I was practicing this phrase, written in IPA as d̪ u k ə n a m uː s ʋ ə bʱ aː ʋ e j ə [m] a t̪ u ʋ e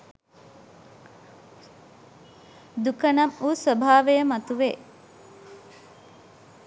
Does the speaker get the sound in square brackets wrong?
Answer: no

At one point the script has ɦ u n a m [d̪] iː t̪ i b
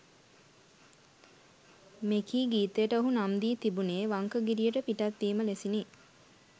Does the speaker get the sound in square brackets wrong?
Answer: no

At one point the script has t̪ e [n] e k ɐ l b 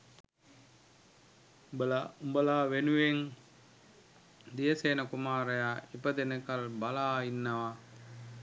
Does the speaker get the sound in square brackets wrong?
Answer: no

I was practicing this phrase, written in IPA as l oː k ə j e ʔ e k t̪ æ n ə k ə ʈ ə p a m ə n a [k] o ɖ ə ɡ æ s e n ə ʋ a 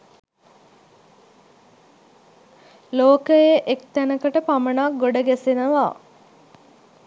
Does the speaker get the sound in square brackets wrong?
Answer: yes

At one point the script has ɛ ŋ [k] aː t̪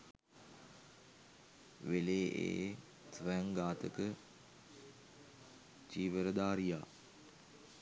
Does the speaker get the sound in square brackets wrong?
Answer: yes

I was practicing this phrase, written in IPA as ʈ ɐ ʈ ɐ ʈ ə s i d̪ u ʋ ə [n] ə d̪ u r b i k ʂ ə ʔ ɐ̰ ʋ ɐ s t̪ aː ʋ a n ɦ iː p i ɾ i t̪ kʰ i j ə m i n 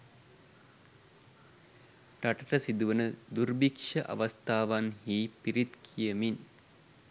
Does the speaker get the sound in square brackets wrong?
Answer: no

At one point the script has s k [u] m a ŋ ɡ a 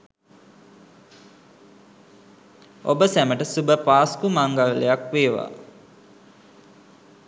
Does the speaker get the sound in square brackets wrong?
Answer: no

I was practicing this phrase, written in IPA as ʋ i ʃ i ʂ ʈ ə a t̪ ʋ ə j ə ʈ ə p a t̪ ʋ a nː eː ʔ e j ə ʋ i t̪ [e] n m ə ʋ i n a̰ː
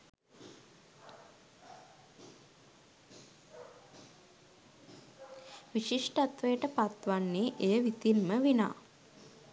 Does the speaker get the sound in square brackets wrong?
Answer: yes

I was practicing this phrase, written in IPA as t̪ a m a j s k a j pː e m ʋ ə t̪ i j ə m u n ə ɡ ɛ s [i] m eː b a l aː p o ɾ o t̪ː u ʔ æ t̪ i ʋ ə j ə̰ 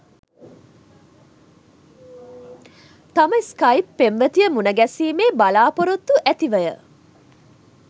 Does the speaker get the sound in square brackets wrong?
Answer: yes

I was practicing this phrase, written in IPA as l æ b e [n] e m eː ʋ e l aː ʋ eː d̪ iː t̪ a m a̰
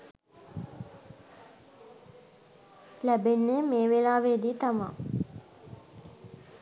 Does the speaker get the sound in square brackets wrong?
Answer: yes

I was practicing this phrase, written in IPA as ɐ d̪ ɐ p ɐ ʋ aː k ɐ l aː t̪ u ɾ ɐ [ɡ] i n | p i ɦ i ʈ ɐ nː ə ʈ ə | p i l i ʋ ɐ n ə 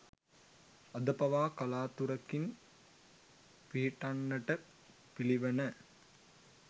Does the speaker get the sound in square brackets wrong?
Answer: yes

